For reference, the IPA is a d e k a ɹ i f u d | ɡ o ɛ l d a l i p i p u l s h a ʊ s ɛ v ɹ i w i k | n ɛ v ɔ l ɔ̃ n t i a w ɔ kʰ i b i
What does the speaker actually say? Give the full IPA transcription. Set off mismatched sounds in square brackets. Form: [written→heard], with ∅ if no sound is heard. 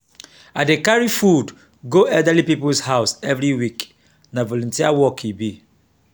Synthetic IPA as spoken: a d e k a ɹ i f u d | ɡ o ɛ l d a l i p i p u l s h a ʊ s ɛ v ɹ i w i k | n [ɛ→a] v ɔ l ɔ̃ n t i a w ɔ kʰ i b i